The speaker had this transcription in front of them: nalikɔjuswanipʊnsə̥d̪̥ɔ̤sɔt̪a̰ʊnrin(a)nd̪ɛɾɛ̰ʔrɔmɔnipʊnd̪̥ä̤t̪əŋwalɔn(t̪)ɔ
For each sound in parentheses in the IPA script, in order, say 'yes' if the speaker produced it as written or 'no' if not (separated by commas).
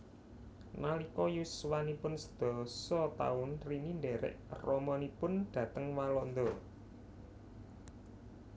no, no